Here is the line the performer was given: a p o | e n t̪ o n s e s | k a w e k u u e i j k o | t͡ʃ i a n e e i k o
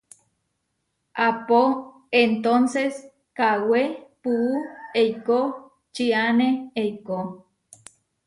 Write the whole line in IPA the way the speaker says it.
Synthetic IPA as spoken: a p o | e n t̪ o n s e s | k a w e p u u e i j k o | t͡ʃ i a n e e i k o